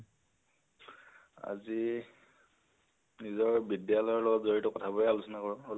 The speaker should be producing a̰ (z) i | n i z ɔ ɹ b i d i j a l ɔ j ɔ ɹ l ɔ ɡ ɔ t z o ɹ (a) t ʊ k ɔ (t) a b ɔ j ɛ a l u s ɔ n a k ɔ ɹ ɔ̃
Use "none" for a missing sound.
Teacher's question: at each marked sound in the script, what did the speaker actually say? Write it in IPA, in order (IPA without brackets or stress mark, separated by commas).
z, i, tʰ